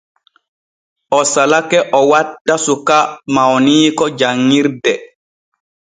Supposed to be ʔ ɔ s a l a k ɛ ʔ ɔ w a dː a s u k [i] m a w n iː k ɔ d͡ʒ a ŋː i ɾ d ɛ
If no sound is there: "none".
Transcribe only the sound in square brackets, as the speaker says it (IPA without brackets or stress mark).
a